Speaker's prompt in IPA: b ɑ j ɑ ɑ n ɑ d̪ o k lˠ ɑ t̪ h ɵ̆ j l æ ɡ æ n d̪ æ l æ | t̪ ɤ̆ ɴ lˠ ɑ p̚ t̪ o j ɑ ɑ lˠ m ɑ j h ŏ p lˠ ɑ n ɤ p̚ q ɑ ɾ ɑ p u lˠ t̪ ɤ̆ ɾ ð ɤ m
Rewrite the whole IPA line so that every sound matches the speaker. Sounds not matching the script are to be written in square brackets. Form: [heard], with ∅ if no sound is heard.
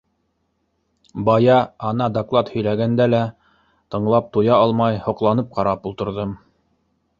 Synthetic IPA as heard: b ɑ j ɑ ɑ n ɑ d̪ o k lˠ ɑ t̪ h ɵ̆ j l æ ɡ æ n d̪ æ l æ | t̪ ɤ̆ ɴ lˠ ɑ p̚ t̪ [u] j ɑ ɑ lˠ m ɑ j h ŏ [q] lˠ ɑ n ɤ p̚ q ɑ ɾ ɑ p u lˠ t̪ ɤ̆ ɾ ð ɤ m